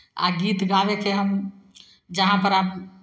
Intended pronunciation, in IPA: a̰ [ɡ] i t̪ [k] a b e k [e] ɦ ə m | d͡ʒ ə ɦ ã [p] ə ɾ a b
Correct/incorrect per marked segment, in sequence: correct, incorrect, correct, correct

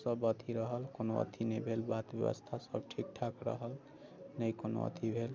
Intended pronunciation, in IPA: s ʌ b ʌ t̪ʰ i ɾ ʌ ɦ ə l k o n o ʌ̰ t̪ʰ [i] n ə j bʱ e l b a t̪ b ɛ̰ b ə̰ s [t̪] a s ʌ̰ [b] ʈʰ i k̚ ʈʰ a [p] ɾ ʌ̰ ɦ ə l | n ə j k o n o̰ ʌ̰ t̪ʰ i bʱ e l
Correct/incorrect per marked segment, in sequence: correct, incorrect, correct, incorrect

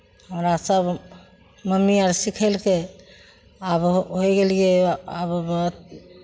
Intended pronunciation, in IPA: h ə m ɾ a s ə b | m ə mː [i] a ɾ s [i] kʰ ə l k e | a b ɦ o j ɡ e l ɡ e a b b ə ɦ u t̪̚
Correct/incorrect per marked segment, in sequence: correct, correct

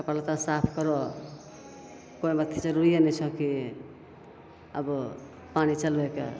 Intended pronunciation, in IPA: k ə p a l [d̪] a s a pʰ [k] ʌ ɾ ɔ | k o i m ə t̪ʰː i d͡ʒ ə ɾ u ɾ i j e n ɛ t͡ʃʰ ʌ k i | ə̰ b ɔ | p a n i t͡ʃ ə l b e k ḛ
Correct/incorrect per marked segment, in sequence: incorrect, correct

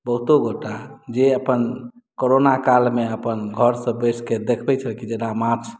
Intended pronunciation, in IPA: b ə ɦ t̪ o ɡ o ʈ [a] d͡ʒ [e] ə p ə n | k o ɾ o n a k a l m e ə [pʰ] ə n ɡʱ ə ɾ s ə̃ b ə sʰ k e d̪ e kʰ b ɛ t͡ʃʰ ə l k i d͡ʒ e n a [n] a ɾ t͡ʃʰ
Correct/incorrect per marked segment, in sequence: correct, correct, incorrect, incorrect

